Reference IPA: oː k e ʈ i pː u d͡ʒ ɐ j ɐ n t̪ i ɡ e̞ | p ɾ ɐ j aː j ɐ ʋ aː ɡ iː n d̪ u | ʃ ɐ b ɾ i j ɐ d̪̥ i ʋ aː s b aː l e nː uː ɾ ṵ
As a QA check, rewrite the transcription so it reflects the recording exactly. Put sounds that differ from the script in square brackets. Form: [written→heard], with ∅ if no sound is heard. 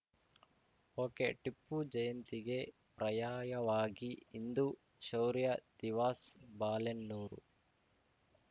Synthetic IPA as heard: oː k e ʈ i pː u d͡ʒ ɐ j ɐ n t̪ i ɡ e̞ | p ɾ ɐ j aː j ɐ ʋ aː ɡ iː n d̪ u | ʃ ɐ [b→w] ɾ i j ɐ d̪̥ i ʋ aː s b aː l e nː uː ɾ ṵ